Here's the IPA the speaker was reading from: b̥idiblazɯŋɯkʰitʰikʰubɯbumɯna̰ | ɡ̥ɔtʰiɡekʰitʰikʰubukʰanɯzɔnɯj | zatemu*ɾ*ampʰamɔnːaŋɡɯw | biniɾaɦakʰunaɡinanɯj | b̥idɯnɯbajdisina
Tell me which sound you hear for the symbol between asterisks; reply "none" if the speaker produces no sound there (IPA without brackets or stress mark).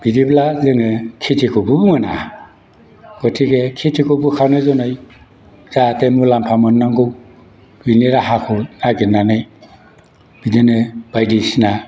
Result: l